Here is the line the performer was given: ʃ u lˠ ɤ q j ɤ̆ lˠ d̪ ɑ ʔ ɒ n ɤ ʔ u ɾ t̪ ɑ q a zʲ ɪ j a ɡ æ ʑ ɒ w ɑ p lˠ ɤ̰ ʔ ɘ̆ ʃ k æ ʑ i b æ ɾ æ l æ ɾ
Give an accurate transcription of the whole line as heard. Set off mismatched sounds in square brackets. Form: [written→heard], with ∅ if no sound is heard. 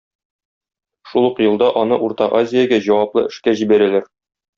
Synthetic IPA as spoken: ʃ u lˠ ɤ q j ɤ̆ lˠ d̪ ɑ ʔ ɒ n ɤ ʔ u ɾ t̪ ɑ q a zʲ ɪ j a ɡ æ ʑ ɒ w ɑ p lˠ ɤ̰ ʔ ɘ̆ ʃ k æ ʑ i b æ ɾ æ l æ ɾ